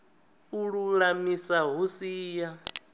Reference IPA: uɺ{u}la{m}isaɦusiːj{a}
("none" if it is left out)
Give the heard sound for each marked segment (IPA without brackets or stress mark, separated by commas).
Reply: u, m, a